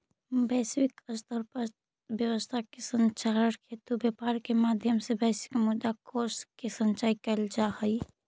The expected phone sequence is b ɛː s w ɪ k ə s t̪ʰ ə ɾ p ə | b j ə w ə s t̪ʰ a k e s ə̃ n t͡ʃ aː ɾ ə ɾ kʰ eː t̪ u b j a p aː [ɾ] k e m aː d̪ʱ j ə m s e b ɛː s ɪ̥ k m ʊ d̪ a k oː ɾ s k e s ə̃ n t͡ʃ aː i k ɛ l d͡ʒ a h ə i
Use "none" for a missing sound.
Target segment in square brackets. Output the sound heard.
ɾ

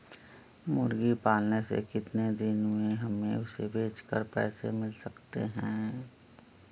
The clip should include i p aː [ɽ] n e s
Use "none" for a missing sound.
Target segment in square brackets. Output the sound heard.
l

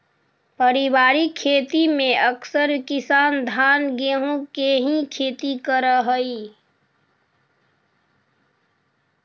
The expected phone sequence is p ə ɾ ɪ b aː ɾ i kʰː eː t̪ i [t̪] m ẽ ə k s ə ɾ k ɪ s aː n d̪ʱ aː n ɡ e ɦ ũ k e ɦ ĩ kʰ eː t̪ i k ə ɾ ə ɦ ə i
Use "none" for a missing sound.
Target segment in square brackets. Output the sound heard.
none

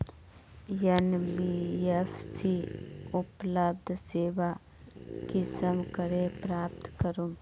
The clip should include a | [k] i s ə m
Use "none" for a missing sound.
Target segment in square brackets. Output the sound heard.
k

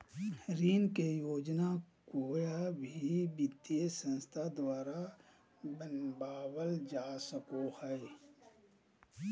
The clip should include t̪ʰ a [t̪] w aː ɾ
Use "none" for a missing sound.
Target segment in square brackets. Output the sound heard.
d̪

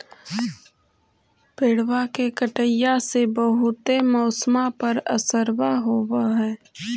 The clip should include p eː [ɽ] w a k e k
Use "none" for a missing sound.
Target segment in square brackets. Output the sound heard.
ɽ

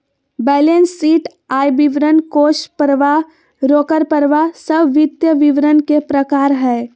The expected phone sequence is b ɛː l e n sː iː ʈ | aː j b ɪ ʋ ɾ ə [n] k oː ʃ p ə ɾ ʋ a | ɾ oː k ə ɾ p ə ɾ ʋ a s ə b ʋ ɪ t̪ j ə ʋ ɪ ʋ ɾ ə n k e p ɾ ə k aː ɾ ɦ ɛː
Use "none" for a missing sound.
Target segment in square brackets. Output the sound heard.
n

